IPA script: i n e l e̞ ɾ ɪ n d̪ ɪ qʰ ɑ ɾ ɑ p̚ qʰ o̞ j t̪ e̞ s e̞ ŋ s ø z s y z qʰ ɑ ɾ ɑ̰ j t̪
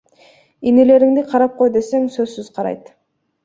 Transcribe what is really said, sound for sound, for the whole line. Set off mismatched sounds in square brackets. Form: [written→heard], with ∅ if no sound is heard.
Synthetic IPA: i n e l e̞ ɾ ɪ [n→ŋ] d̪ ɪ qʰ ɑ ɾ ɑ p̚ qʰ o̞ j [t̪→d̪] e̞ s e̞ ŋ s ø z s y z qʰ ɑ ɾ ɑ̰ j t̪